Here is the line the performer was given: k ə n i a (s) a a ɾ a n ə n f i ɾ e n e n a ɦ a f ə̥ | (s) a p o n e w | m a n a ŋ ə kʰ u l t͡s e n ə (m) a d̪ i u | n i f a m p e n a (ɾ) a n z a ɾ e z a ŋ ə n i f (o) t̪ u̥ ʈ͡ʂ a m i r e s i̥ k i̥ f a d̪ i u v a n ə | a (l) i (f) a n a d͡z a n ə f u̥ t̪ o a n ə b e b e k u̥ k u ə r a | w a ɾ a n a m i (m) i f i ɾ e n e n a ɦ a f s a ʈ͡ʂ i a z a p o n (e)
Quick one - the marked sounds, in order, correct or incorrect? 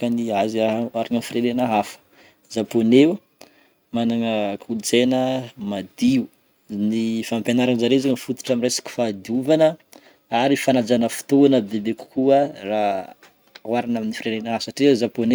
incorrect: z, incorrect: z, correct, correct, incorrect: u, incorrect: ɾ, correct, incorrect: n, correct

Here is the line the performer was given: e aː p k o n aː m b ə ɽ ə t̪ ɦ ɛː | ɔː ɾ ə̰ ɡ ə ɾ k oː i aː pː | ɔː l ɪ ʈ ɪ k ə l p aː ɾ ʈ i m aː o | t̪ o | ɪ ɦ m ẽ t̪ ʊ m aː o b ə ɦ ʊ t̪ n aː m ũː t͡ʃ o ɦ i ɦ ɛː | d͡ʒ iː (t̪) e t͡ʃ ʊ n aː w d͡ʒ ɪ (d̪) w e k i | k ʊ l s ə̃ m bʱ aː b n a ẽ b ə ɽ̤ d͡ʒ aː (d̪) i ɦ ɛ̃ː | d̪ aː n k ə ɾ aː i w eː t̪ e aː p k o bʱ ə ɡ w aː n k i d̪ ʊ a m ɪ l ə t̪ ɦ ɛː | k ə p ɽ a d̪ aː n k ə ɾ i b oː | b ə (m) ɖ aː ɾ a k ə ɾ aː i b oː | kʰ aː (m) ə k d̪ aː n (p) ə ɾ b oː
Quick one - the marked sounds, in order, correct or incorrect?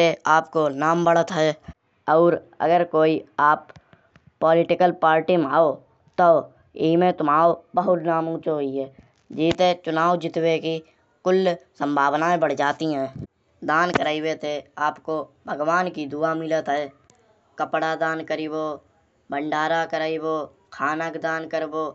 correct, incorrect: t̪, incorrect: t̪, incorrect: ɳ, incorrect: n, incorrect: k

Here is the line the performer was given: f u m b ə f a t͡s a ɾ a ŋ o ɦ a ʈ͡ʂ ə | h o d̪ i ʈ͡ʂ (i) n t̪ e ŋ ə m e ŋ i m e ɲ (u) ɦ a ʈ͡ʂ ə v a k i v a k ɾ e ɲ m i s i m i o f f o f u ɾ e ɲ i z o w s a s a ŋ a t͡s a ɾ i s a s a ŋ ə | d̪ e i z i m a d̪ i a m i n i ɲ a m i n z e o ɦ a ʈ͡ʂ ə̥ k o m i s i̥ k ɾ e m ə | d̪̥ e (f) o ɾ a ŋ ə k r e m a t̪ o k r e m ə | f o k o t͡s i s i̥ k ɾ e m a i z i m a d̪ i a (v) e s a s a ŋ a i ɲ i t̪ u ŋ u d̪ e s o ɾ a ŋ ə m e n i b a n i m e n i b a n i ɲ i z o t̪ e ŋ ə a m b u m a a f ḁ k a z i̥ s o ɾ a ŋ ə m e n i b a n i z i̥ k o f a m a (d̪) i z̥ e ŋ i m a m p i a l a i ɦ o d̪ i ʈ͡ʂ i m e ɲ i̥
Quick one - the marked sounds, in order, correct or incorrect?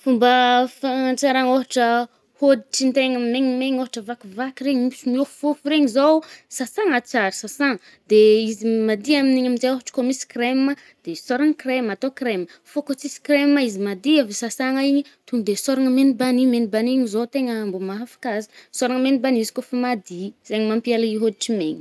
correct, incorrect: o, incorrect: s, correct, correct

